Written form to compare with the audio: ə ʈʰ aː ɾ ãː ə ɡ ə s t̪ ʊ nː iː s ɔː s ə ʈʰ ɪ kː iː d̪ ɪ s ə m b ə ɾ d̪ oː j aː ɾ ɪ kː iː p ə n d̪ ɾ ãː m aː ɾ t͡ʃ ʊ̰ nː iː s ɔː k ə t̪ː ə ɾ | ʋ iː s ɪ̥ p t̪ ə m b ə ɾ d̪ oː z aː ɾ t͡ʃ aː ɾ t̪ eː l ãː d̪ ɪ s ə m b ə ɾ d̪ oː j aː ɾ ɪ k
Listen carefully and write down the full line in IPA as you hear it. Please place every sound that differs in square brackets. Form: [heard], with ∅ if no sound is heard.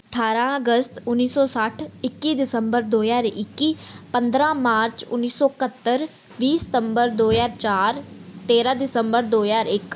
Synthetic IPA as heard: ə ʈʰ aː ɾ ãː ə ɡ ə s t̪ ʊ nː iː s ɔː s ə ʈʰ ɪ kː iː d̪ ɪ s ə m b ə ɾ d̪ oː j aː ɾ ɪ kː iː p ə n d̪ ɾ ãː m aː ɾ t͡ʃ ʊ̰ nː iː s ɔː k ə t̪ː ə ɾ | ʋ iː s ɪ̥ [∅] t̪ ə m b ə ɾ d̪ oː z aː ɾ t͡ʃ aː ɾ t̪ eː [ɾ] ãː d̪ ɪ s ə m b ə ɾ d̪ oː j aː ɾ ɪ k